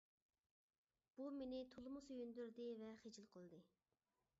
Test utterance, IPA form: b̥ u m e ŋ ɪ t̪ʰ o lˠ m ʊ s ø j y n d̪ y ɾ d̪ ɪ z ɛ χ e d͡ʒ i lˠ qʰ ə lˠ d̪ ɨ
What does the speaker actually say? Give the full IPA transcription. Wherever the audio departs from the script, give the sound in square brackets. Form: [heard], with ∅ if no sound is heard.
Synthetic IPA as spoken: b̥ u m e [n] ɪ t̪ʰ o lˠ m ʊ s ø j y n d̪ y ɾ d̪ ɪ [v] ɛ χ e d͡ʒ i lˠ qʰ ə lˠ d̪ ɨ